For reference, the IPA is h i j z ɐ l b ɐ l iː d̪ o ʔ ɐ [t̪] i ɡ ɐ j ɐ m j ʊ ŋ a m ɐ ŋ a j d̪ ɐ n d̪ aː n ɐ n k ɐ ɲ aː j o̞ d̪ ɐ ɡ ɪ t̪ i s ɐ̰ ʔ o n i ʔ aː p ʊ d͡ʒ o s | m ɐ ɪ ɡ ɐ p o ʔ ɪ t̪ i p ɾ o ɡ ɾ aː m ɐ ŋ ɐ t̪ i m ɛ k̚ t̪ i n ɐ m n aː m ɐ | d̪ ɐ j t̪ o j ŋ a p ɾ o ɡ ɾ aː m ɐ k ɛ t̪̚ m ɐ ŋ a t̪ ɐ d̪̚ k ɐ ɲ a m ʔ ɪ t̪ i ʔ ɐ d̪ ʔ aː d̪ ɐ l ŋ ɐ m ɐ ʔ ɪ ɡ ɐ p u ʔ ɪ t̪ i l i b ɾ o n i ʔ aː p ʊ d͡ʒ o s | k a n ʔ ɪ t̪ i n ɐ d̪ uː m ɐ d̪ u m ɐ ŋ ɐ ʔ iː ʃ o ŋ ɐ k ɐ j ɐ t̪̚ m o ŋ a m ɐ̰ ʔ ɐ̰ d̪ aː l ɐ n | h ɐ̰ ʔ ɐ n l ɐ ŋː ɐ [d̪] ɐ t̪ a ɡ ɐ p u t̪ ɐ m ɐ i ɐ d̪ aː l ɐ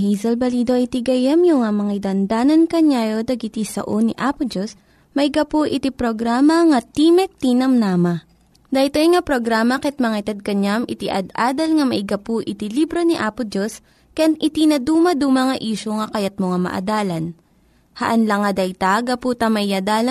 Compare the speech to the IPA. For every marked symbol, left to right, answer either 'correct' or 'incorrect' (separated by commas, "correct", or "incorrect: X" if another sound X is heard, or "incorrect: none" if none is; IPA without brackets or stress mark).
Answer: correct, correct